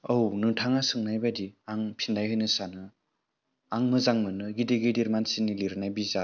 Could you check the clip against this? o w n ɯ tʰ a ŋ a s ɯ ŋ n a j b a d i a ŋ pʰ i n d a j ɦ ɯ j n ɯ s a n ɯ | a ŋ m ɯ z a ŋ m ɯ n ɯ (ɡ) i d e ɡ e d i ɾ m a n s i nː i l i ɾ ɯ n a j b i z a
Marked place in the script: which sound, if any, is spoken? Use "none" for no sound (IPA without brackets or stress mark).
ɡ